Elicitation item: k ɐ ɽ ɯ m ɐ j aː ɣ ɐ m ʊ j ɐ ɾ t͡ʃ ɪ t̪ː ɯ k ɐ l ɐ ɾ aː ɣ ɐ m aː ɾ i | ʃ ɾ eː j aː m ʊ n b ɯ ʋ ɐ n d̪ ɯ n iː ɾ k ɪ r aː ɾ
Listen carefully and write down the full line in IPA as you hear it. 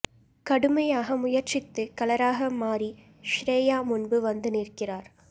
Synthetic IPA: k ɐ ɽ ɯ m ɐ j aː ɣ ɐ m ʊ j ɐ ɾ t͡ʃ ɪ t̪ː ɯ k ɐ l ɐ ɾ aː ɣ ɐ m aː ɾ i | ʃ ɾ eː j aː m ʊ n b ɯ ʋ ɐ n d̪ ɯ n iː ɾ k ɪ r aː ɾ